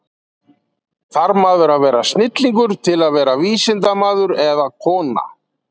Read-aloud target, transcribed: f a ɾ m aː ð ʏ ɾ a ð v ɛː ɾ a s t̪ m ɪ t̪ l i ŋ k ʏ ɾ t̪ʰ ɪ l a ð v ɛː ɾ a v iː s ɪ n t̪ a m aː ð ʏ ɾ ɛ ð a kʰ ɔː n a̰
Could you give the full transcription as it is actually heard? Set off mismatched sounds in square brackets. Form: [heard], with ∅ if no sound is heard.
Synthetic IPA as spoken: [θ] a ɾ m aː ð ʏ ɾ a ð v ɛː ɾ a s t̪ [n] ɪ t̪ l i ŋ k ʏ ɾ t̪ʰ ɪ l a ð v ɛː ɾ a v iː s ɪ n t̪ a m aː ð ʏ ɾ ɛ ð a kʰ ɔː n a̰